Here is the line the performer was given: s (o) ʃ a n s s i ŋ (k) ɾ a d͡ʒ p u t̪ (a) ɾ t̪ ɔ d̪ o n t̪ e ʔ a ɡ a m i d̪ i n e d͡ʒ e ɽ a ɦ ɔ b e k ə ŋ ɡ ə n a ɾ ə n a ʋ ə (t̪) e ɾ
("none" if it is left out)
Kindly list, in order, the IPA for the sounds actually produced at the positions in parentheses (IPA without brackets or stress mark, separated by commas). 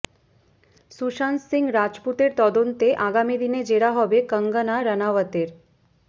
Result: u, ɡ, e, t̪